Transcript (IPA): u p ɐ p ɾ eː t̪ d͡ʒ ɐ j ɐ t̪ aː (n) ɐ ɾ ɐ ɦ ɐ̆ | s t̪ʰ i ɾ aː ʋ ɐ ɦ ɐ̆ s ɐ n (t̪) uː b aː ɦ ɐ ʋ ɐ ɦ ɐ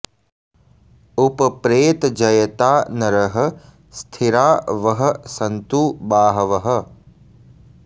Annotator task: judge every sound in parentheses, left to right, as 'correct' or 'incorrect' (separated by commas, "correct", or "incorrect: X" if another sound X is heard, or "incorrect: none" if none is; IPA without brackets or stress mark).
correct, correct